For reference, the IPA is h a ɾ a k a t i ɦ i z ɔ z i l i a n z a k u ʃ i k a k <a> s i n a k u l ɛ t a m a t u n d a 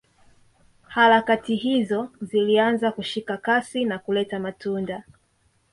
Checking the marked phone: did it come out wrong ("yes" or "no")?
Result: no